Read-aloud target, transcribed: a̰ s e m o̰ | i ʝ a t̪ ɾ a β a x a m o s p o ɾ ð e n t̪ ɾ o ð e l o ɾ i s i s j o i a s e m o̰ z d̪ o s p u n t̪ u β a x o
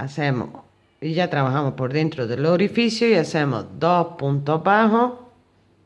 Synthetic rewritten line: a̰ s e m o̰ | i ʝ a t̪ ɾ a β a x a m o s p o ɾ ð e n t̪ ɾ o ð e l o ɾ i f i s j o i a s e m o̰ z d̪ o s p u n t̪ o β a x o